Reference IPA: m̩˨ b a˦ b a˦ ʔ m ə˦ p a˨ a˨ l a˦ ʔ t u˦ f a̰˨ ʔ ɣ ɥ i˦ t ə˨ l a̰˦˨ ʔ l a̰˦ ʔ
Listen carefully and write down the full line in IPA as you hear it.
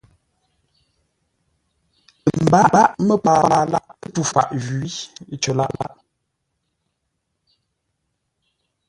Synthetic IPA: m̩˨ b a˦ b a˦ ʔ m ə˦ p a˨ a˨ l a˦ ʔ t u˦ f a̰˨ ʔ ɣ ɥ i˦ t͡ʃ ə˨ l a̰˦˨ ʔ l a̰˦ ʔ